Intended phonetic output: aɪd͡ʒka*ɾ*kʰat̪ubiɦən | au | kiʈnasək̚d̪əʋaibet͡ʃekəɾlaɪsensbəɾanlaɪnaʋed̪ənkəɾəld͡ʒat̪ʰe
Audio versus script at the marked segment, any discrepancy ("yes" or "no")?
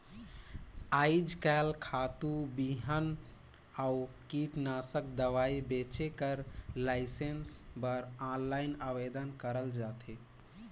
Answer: yes